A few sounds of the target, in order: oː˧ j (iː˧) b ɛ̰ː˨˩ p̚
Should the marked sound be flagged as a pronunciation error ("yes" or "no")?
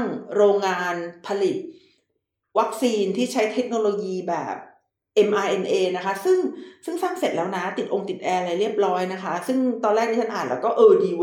no